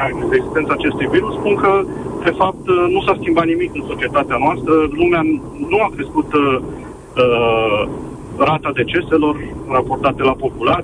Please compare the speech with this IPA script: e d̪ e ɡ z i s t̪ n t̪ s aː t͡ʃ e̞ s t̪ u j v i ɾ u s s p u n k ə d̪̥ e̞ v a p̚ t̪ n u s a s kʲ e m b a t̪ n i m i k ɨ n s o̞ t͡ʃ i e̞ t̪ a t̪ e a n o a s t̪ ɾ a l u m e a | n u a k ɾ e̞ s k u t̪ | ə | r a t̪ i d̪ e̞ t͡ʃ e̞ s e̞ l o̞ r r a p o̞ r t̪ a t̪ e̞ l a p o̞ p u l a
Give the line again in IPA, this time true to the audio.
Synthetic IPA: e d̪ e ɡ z i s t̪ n t̪ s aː t͡ʃ e̞ s t̪ u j v i ɾ u s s p u n k ə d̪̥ e̞ f a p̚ t̪ n u s a s kʲ i m b a t̪ n i m i k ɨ n s o̞ t͡ʃ i e̞ t̪ a t̪ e a n o a s t̪ ɾ ə l u m e a | n u a k ɾ e̞ s k u t̪ | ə | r a t̪ a d̪ e̞ t͡ʃ e̞ s e̞ l o̞ r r a p o̞ r t̪ a t̪ e̞ l a p o̞ p u l a